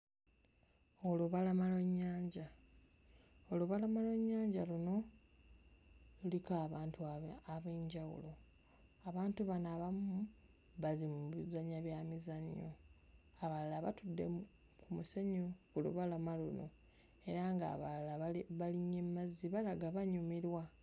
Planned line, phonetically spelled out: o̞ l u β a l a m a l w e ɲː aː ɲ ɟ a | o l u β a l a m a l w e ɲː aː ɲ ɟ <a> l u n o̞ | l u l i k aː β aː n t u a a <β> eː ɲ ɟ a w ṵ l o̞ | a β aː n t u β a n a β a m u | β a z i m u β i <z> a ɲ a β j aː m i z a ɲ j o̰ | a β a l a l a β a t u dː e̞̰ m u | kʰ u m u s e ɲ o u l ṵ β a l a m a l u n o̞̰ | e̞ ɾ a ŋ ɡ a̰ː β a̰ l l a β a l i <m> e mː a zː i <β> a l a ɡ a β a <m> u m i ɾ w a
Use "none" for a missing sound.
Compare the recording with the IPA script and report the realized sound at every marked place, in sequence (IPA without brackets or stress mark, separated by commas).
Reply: a, β, z, ɲ, β, ɲ